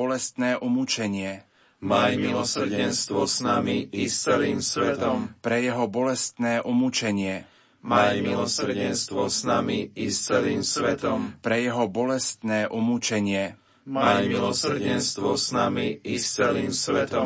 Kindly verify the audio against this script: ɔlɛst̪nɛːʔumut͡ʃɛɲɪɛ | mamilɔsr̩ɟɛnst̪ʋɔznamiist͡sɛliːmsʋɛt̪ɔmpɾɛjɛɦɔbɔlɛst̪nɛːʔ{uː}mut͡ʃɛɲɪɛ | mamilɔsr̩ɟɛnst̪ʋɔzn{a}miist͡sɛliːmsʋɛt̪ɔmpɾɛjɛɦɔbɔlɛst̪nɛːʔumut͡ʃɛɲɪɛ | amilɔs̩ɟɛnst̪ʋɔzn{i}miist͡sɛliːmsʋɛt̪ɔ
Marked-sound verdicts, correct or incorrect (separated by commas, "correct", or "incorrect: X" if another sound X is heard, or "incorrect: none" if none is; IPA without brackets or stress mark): incorrect: u, correct, incorrect: a